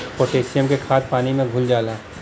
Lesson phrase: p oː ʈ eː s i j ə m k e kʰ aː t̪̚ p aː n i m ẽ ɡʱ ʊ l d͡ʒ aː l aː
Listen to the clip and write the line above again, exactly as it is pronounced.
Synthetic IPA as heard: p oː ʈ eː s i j ə m k e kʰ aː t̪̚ p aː n i m ẽ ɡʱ ʊ l d͡ʒ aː l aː